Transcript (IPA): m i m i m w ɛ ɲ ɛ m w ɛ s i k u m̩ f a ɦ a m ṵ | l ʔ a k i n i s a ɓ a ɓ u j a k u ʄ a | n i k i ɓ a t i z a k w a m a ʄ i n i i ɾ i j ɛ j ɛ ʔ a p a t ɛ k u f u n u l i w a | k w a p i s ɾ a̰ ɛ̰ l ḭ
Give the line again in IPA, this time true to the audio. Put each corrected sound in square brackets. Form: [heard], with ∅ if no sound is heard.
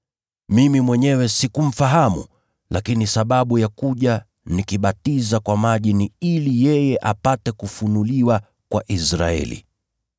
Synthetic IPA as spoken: m i m i m w ɛ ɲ ɛ [∅] w ɛ s i k u m̩ f a ɦ a m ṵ | l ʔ a k i n i s a ɓ a ɓ u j a k u ʄ a | n i k i ɓ a t i z a k w a m a ʄ i n i i [l] i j ɛ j ɛ ʔ a p a t ɛ k u f u n u l i w a | k w a [ʔ] i s ɾ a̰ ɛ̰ l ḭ